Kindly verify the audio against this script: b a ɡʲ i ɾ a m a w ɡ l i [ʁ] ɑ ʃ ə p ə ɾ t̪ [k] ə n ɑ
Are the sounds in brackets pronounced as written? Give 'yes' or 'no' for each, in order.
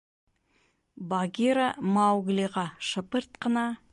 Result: yes, no

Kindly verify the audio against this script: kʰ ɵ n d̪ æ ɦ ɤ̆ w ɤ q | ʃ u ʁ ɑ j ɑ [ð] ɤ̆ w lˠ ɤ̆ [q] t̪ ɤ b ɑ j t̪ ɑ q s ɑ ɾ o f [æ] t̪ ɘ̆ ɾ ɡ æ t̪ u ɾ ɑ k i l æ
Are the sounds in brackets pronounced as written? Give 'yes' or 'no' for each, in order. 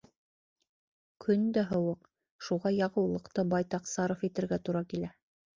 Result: no, yes, no

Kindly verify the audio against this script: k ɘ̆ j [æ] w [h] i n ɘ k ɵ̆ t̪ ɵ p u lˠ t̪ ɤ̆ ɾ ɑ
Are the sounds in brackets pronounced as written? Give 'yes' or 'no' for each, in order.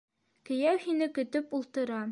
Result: yes, yes

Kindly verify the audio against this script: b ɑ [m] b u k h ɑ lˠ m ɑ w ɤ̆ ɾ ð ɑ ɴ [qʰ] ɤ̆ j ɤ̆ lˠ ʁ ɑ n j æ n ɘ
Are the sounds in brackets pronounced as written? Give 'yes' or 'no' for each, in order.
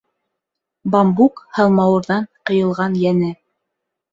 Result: yes, no

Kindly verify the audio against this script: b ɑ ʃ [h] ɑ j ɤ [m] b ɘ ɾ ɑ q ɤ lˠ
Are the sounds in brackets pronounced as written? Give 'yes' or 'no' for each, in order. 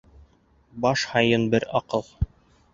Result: yes, no

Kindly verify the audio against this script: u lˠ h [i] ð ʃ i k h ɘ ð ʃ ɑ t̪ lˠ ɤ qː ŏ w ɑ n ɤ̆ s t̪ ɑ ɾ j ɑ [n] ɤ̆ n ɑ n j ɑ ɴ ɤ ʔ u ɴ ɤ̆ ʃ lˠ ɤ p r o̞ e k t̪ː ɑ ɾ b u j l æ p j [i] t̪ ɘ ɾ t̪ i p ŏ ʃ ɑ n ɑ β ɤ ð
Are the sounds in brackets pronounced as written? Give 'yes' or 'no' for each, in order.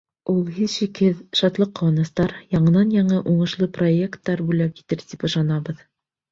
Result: yes, no, yes

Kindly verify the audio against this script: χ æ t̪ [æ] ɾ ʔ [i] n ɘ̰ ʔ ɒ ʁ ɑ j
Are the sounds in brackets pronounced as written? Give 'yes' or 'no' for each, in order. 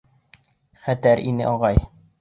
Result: yes, yes

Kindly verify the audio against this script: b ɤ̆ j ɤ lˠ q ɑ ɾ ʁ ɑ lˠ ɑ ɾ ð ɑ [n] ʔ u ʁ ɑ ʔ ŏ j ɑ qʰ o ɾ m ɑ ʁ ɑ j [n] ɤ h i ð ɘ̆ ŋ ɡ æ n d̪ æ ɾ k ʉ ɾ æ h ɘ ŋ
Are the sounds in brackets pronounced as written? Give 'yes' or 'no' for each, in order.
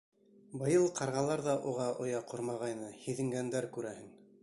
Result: no, yes

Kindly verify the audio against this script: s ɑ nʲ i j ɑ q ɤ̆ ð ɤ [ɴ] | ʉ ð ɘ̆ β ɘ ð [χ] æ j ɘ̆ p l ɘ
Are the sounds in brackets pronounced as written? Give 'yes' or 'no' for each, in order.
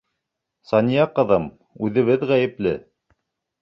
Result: no, no

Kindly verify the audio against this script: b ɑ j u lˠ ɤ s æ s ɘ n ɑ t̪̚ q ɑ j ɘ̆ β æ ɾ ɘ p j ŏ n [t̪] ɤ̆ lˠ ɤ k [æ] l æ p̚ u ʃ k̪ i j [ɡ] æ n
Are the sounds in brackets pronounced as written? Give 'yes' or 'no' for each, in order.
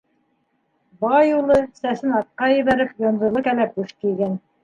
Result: no, yes, yes

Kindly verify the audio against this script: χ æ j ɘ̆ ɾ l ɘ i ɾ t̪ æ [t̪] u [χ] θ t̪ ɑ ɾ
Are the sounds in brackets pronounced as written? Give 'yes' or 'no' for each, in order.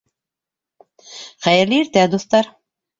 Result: no, no

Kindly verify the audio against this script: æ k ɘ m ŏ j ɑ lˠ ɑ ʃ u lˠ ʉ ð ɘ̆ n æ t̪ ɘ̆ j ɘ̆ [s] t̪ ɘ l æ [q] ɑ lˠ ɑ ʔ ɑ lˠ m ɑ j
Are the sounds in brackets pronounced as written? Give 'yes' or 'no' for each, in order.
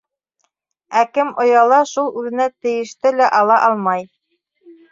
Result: no, no

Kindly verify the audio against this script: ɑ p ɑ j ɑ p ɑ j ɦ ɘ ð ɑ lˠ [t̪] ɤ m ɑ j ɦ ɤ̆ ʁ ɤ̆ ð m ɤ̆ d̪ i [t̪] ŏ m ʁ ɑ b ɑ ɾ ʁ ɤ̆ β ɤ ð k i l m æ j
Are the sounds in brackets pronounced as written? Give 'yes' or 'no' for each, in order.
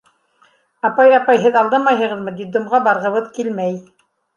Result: no, no

